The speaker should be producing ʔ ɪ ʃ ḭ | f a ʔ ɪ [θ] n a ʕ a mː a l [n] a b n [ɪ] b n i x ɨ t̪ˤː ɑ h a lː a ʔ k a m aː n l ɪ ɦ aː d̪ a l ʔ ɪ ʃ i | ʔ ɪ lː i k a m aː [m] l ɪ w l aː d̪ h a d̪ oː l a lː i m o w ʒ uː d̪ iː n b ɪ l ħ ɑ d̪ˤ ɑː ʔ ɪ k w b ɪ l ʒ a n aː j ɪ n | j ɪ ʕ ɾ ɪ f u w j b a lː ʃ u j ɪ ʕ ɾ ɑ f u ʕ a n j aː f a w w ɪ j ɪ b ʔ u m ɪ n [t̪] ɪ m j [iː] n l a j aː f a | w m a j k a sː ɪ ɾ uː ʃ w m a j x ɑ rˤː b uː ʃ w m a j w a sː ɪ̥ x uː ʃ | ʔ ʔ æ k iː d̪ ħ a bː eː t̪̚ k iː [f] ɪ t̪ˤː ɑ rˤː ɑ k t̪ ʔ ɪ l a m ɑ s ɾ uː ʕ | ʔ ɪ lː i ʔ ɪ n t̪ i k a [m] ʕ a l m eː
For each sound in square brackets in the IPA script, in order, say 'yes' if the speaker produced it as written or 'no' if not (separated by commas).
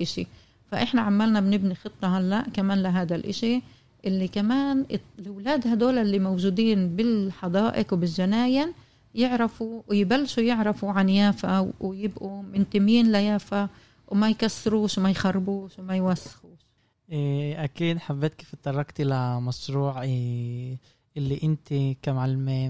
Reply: no, yes, yes, no, yes, yes, yes, yes